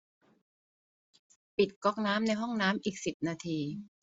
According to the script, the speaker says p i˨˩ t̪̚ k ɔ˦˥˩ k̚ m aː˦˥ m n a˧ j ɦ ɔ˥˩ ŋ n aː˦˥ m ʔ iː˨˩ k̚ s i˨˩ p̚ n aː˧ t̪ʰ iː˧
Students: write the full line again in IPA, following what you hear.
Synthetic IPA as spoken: p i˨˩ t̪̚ k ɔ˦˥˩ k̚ n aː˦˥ m n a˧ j ɦ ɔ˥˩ ŋ n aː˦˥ m ʔ iː˨˩ k̚ s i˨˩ p̚ n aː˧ t̪ʰ iː˧